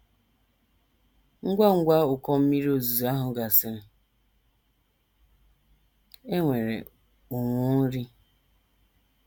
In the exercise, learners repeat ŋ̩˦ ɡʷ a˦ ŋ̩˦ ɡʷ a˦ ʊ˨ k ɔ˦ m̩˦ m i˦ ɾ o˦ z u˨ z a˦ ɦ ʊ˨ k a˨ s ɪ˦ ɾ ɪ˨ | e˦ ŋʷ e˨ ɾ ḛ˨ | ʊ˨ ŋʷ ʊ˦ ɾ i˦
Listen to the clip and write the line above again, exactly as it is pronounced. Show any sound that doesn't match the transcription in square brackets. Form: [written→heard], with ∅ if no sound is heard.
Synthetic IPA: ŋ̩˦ ɡʷ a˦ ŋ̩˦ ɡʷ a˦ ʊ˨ k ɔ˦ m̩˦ m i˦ ɾ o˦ z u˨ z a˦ ɦ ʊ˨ [k→ɡ] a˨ s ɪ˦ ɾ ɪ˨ | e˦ ŋʷ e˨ ɾ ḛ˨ | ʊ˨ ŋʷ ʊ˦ ɾ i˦